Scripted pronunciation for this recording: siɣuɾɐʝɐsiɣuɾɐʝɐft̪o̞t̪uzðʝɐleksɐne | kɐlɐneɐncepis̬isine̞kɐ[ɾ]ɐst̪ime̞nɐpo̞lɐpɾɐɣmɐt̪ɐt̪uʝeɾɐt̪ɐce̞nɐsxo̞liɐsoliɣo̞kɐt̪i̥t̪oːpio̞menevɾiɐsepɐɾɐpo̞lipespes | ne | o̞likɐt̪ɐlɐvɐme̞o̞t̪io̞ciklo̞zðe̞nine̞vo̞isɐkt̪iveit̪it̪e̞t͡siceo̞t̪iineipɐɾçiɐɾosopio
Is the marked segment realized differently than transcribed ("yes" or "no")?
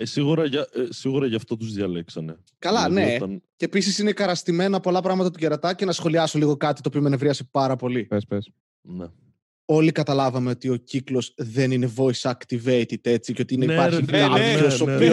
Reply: no